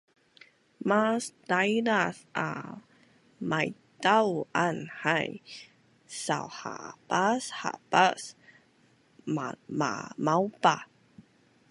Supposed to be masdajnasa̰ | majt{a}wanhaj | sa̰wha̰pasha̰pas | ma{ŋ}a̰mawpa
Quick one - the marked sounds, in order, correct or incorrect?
correct, incorrect

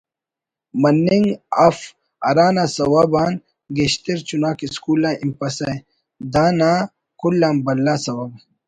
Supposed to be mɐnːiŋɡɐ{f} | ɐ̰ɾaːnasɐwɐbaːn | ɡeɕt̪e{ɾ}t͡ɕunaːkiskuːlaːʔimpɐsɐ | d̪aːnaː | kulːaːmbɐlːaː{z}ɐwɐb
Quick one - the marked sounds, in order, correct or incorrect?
correct, correct, incorrect

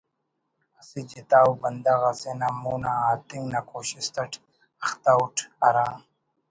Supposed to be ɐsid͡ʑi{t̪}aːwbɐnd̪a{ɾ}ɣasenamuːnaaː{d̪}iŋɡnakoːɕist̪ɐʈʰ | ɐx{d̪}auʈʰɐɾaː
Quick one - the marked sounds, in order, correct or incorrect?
correct, incorrect, incorrect, incorrect

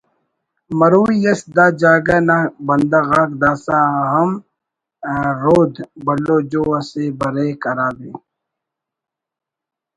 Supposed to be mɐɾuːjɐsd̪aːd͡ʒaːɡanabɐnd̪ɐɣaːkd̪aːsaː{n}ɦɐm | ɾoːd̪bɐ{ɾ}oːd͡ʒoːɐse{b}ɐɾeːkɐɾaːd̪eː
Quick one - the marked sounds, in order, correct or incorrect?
incorrect, incorrect, correct

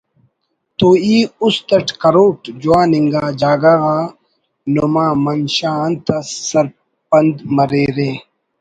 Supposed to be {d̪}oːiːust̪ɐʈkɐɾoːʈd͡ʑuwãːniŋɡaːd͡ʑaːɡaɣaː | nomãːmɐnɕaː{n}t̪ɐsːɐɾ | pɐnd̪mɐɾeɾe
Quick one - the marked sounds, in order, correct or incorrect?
incorrect, correct

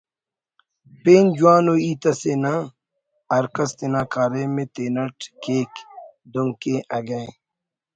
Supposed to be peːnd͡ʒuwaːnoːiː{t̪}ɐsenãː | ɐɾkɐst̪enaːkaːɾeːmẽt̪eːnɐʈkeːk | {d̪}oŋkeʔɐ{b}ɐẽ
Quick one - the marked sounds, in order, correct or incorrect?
correct, correct, incorrect

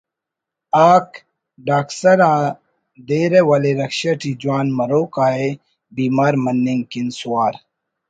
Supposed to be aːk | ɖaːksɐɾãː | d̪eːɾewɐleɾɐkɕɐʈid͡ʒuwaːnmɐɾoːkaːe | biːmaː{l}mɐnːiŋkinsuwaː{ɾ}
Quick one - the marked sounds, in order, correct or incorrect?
incorrect, correct

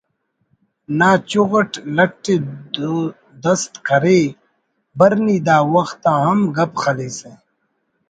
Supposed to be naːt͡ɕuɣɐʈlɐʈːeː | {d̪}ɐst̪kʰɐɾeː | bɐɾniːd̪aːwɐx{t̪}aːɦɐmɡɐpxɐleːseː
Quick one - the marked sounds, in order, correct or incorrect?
correct, correct

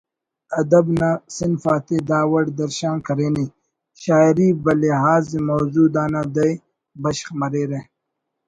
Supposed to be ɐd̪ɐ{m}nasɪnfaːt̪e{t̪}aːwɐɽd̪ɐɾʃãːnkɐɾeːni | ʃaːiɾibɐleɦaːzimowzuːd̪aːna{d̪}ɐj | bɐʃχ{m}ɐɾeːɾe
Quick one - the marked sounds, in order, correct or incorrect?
incorrect, incorrect, correct, correct

